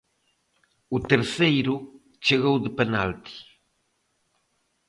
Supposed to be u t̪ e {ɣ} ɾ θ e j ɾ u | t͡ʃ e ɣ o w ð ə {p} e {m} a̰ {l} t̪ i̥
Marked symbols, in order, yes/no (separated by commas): no, yes, no, yes